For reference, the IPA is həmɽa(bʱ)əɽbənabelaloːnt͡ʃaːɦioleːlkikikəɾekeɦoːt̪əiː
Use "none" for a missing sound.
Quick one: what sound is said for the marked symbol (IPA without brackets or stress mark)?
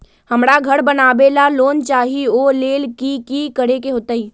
ɡʱ